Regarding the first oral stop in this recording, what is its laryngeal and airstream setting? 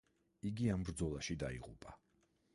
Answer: plain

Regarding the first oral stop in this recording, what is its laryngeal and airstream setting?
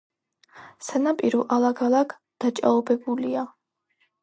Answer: ejective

